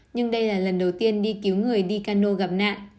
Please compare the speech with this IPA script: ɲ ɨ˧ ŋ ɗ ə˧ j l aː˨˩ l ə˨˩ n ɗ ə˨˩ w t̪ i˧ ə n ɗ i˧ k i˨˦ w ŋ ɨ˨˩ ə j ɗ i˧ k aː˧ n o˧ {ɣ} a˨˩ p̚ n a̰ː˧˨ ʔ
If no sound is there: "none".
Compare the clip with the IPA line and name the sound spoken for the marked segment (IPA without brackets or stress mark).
ɣ